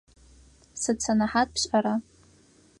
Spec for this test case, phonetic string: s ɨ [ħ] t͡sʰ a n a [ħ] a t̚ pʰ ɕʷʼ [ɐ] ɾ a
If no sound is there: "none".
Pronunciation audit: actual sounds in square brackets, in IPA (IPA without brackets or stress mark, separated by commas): none, ħ, a